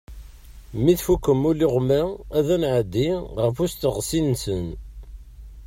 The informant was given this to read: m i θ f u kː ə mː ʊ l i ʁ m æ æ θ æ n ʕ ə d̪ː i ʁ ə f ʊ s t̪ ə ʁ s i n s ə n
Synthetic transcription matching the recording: m i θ f u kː ə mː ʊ l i ʁ m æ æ ð æ n ʕ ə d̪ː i ʁ ə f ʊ s t̪ ə ʁ s i n s ə n